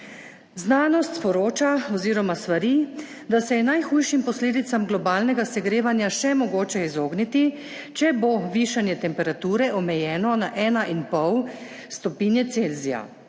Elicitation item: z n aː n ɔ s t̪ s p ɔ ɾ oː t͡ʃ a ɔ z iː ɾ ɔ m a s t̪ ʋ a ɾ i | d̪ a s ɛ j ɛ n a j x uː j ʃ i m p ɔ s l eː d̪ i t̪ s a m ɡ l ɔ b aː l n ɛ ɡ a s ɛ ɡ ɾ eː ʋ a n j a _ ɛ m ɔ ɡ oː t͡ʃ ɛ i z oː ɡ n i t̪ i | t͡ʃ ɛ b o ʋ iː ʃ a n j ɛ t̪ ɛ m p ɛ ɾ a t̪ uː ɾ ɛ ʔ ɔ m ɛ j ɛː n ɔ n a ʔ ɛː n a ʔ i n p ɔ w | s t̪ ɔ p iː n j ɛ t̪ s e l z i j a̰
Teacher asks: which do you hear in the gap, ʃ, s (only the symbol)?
ʃ